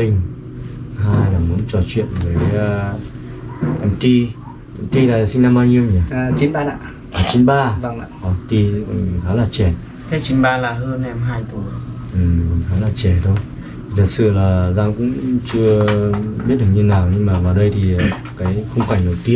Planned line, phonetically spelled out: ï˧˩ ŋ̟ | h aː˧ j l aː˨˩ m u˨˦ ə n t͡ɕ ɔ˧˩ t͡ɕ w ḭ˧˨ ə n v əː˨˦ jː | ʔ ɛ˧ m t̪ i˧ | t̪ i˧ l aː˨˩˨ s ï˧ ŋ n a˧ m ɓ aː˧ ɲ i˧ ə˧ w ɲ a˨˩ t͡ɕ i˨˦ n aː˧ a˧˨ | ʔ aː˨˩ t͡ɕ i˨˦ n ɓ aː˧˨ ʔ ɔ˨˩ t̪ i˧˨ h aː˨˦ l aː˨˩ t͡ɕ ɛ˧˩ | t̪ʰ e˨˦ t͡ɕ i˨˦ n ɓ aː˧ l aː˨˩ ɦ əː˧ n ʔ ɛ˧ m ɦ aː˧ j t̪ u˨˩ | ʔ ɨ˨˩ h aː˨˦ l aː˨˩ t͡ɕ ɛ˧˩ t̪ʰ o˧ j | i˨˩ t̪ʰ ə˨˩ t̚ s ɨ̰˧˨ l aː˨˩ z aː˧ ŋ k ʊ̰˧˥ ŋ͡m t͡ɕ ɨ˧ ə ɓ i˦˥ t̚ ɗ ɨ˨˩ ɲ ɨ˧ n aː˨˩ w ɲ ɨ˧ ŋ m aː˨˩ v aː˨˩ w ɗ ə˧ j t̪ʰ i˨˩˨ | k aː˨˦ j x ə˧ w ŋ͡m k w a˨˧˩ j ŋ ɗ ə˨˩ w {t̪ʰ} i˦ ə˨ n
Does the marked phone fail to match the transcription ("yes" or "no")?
yes